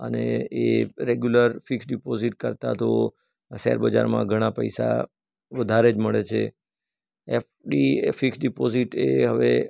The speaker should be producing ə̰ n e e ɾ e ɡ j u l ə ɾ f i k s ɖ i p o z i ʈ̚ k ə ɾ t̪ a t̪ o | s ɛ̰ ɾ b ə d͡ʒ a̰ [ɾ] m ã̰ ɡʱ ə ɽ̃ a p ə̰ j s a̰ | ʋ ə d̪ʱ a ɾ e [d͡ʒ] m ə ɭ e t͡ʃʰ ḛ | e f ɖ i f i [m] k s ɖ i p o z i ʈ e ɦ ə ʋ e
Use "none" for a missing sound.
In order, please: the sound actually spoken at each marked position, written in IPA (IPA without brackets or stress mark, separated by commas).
ɾ, d͡ʒ, none